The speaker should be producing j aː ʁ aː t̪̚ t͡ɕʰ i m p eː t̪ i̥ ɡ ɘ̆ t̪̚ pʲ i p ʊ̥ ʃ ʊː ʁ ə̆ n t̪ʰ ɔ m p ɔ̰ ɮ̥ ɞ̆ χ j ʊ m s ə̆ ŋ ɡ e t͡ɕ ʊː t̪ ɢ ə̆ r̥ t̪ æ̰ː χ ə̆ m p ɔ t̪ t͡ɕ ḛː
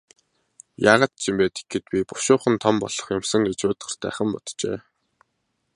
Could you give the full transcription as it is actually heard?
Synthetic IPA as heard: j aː ʁ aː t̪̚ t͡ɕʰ i m p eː t̪ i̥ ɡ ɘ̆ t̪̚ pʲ i p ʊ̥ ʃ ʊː χ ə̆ n t̪ʰ ɔ m p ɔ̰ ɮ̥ ɞ̆ χ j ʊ m s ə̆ ŋ ɡ e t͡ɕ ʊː t̪ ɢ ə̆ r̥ t̪ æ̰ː χ ə̆ m p ɔ t̪ t͡ɕ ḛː